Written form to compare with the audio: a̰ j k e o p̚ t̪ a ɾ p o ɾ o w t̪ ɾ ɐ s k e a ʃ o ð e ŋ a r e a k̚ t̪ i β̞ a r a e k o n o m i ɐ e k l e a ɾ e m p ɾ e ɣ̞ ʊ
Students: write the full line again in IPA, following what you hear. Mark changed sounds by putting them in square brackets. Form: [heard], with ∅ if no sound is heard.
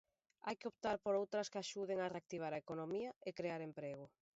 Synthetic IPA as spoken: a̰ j k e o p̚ t̪ a ɾ p o ɾ o w t̪ ɾ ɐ s k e a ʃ [u] ð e ŋ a r e a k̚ t̪ i β̞ a [ɾ] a e k o n o m i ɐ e k [ɾ] e a ɾ e m p ɾ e ɣ̞ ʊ